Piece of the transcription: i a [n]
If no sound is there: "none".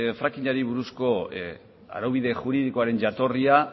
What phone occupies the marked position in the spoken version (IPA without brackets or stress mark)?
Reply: none